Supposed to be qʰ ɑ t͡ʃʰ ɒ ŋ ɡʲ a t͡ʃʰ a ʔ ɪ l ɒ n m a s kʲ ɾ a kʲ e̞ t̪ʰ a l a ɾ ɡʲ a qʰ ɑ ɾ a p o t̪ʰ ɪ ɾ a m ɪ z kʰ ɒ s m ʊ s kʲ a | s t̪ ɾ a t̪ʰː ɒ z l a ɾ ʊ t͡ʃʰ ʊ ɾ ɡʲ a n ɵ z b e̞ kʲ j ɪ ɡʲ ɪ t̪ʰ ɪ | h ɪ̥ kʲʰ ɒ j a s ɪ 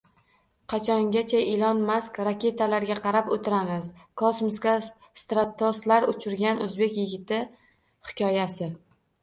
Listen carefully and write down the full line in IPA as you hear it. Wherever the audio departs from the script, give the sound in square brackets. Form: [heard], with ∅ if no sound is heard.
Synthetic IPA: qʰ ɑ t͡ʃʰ ɒ ŋ ɡʲ a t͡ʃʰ a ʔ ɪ l ɒ n m a s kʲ ɾ a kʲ e̞ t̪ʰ a l a ɾ ɡʲ a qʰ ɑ ɾ a p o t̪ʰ ɪ ɾ a m ɪ z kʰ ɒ s m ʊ s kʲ a | s t̪ ɾ a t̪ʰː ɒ [s] l a ɾ ʊ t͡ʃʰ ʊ ɾ ɡʲ a n ɵ z b e̞ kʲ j ɪ ɡʲ ɪ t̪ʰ ɪ | h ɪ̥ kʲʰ ɒ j a s ɪ